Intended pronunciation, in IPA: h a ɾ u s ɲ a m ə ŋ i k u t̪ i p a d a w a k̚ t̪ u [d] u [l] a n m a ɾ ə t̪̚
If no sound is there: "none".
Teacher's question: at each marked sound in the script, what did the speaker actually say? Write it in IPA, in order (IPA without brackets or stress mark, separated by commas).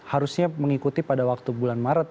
b, l